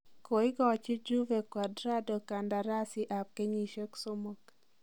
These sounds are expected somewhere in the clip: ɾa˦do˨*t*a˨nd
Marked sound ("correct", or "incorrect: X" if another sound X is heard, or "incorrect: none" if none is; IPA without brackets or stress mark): incorrect: k